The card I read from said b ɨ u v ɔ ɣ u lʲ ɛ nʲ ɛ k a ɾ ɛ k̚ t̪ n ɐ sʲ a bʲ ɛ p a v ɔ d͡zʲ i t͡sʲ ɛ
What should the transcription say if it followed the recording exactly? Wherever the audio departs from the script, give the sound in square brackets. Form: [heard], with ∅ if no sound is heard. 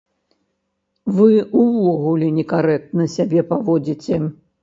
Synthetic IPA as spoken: [v] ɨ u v ɔ ɣ u lʲ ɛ nʲ ɛ k a ɾ ɛ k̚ t̪ n ɐ sʲ a bʲ ɛ p a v ɔ d͡zʲ i t͡sʲ ɛ